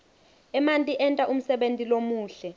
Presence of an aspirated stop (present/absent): absent